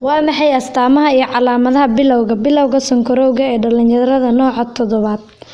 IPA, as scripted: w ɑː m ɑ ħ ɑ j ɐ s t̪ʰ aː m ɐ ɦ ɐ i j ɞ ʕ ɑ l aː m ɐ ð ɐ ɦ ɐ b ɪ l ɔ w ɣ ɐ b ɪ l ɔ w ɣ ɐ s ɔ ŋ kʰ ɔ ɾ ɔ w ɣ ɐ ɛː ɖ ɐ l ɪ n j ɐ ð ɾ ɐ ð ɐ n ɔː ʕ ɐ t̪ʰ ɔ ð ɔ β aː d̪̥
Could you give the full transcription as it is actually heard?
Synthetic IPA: w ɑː m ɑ ħ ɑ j ɐ s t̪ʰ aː m ɐ ɦ ɐ i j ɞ ʕ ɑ l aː m ɐ ð ɐ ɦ ɐ b ɪ l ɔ w ɣ ɐ b ɪ l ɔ w ɣ ɐ s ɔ ŋ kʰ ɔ ɾ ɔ w ɣ ɐ ɛː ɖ ɐ l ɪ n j ɐ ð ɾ ɐ ð ɐ n ɔː ʕ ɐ t̪ʰ ɔ ð ɔ β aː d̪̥